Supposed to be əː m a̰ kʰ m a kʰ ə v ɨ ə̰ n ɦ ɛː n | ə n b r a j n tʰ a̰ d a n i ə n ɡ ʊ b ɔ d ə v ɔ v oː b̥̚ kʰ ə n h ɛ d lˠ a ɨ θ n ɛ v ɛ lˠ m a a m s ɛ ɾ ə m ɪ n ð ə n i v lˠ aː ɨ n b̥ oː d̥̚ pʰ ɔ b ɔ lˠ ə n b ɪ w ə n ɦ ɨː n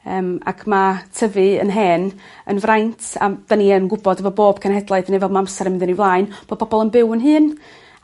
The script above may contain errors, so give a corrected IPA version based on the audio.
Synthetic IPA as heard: əː m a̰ kʰ m a tʰ ə v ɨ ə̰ n ɦ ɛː n | ə n v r a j n tʰ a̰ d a n i ə n ɡ ʊ b ɔ d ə v ɔ b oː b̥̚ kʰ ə n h ɛ d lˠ a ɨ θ n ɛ v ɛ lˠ m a a m s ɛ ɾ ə m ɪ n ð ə n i v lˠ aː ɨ n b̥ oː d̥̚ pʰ ɔ b ɔ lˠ ə n b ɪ w ə n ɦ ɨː n